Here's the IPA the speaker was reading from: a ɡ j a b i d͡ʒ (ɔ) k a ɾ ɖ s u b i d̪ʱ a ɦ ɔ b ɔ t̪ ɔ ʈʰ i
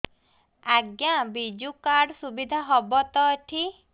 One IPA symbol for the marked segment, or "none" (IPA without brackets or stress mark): u